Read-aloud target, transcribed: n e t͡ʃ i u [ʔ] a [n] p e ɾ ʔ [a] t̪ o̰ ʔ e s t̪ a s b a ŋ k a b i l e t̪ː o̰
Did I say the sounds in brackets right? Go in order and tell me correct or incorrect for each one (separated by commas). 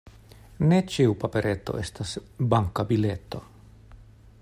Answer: incorrect, incorrect, incorrect